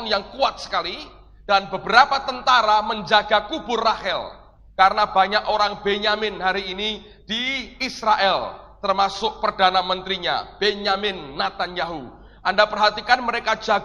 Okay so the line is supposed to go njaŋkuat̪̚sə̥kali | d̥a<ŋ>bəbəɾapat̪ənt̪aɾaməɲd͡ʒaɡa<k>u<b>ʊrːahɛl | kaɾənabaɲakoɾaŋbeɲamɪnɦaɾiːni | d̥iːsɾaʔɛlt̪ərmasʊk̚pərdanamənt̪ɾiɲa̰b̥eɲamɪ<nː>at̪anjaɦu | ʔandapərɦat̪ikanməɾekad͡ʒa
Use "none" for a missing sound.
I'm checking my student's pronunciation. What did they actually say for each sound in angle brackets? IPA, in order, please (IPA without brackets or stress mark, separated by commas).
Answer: n, k, b, nː